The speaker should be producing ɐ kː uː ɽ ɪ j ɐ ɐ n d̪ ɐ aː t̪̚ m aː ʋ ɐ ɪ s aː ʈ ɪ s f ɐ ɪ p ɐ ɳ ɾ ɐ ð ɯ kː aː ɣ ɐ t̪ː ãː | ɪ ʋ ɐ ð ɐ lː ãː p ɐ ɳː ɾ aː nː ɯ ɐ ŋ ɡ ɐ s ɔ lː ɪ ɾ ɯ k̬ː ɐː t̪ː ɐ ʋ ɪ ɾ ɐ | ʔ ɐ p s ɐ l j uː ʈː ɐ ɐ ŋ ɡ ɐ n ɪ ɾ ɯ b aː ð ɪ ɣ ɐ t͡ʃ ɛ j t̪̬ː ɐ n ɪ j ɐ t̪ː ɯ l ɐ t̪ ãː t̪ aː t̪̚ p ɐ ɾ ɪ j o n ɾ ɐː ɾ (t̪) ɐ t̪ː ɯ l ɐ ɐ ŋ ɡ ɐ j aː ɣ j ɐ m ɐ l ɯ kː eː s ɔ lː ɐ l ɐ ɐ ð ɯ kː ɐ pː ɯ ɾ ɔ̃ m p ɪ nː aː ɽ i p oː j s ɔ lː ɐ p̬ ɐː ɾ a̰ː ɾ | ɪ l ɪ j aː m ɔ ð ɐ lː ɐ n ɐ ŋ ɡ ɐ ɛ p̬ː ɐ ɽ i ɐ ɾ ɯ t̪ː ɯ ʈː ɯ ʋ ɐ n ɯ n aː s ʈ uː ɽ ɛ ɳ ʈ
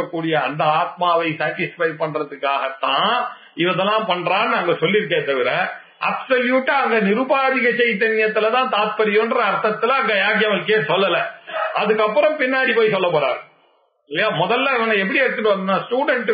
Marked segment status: correct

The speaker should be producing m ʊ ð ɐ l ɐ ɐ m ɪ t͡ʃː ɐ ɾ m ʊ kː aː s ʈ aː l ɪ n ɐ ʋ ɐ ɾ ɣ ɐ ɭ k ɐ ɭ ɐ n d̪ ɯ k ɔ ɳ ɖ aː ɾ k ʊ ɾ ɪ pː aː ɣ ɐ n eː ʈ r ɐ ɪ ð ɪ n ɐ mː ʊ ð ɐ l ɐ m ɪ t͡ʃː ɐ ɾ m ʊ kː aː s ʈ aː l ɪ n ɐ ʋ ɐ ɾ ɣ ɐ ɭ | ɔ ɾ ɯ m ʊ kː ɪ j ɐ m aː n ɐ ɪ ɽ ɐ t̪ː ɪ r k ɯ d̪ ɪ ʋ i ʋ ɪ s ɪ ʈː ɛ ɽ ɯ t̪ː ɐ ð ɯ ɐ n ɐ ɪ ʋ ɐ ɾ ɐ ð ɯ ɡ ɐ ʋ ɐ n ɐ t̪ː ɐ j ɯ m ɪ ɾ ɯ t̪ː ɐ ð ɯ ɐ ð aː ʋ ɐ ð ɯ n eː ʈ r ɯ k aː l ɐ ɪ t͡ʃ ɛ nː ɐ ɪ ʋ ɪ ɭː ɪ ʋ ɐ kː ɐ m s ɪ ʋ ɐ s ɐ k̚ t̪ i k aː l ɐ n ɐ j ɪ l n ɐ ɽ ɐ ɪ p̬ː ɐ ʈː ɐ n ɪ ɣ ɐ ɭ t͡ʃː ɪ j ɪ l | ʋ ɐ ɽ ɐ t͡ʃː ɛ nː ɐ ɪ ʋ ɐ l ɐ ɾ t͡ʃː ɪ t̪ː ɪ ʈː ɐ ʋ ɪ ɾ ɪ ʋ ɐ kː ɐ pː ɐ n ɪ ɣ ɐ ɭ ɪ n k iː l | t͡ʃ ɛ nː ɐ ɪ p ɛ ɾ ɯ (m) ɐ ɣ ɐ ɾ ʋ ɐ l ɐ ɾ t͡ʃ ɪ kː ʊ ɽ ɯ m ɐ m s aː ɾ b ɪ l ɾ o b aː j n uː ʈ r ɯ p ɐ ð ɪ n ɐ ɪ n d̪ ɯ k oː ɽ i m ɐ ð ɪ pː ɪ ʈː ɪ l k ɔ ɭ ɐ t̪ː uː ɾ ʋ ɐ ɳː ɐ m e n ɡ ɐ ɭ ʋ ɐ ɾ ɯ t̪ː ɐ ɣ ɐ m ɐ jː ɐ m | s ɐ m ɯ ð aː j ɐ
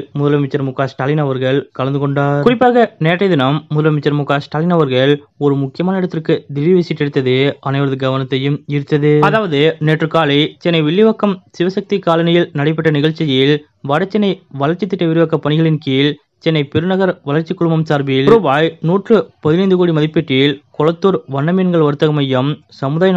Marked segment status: incorrect: n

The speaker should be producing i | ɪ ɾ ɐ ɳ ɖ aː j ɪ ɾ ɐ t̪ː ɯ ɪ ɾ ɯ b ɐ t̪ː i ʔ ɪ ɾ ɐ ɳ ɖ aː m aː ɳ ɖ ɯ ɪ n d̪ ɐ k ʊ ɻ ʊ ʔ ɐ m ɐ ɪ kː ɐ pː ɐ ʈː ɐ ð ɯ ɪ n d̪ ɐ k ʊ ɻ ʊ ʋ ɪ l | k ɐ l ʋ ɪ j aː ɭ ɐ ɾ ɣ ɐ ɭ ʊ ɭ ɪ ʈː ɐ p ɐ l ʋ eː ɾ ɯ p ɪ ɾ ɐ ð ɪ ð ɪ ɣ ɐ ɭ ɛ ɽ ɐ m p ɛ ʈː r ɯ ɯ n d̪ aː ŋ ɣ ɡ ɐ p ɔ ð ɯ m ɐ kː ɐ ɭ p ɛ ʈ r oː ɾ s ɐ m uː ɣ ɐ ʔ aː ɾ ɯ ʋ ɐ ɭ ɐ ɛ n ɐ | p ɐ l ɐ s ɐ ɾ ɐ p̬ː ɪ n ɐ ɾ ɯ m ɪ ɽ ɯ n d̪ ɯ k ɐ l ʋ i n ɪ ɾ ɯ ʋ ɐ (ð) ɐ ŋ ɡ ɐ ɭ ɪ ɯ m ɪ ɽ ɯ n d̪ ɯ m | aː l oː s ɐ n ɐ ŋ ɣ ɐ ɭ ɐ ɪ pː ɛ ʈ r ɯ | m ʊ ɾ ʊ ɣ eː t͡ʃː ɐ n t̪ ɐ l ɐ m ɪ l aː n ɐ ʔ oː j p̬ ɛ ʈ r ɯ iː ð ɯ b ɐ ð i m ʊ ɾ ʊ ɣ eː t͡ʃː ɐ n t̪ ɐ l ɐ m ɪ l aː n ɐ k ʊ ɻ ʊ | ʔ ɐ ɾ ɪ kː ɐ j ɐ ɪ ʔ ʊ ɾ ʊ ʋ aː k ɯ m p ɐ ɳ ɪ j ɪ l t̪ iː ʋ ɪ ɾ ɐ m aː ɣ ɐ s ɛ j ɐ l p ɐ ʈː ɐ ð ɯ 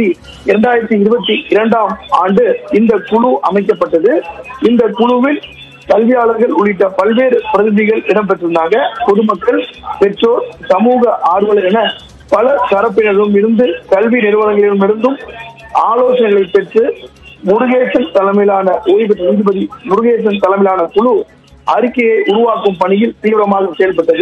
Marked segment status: correct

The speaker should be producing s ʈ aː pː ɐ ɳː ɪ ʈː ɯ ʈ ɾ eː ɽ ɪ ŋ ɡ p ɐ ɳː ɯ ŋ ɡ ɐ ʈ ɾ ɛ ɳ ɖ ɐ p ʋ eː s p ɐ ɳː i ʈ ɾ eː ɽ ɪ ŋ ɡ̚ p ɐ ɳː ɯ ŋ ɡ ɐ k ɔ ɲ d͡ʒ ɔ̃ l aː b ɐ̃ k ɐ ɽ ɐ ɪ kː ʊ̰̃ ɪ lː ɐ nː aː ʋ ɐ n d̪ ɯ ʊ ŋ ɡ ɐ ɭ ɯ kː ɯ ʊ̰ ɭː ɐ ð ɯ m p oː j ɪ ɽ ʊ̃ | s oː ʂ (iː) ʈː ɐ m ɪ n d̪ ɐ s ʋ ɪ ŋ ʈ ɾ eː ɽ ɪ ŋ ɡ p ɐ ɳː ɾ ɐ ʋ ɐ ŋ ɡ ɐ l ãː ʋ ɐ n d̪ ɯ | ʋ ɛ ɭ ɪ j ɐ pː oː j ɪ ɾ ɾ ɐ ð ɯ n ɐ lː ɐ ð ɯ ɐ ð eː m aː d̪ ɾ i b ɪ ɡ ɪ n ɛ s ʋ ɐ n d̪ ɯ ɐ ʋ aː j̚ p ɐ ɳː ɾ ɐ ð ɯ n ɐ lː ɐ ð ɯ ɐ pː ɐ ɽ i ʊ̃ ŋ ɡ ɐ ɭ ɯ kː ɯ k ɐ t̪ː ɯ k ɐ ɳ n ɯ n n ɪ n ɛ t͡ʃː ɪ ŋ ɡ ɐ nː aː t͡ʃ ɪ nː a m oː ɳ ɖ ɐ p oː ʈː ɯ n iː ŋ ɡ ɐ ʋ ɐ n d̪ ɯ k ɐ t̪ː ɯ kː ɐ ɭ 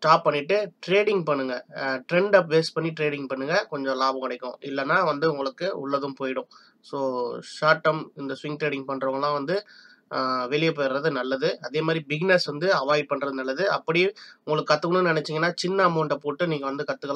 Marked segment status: incorrect: aː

